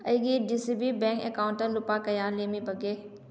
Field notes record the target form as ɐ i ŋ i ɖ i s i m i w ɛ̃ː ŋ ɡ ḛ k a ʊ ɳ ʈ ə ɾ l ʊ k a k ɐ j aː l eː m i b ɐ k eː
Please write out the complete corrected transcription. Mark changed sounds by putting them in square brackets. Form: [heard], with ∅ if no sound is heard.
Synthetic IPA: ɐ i [ɡ] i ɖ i s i [b] i [b] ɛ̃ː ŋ [k] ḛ k a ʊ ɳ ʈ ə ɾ l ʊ [p] a k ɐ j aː l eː m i b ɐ [ɡ] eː